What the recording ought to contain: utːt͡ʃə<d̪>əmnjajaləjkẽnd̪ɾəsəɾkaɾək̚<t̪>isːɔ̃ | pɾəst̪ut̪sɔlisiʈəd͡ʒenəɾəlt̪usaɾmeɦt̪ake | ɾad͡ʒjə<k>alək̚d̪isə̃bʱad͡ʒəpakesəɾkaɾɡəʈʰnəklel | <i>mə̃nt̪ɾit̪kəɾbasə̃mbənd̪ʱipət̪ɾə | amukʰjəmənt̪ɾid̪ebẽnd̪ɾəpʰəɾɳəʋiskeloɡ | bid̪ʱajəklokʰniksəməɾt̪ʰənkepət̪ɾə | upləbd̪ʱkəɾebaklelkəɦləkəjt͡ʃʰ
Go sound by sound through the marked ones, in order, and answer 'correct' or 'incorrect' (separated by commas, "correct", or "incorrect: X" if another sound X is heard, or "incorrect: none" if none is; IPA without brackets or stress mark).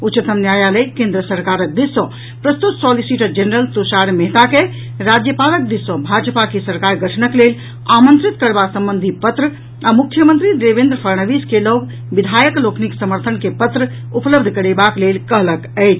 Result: incorrect: t̪, incorrect: d̪, incorrect: p, incorrect: a